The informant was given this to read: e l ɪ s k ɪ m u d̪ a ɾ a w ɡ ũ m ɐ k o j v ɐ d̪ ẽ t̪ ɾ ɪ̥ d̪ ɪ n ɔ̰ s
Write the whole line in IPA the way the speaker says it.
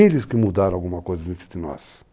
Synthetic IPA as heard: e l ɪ s k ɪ m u d̪ a ɾ a w ɡ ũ m ɐ k o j z ɐ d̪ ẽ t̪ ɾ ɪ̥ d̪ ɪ n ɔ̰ s